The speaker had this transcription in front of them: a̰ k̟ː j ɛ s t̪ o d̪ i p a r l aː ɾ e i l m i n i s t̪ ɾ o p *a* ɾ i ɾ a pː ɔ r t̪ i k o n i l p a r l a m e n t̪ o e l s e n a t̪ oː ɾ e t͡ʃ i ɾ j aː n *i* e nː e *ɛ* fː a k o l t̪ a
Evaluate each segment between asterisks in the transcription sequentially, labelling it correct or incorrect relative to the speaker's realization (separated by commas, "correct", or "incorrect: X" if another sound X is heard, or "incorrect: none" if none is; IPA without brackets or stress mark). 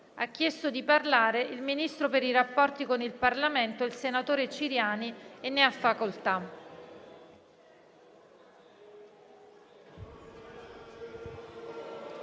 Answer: incorrect: e, correct, incorrect: a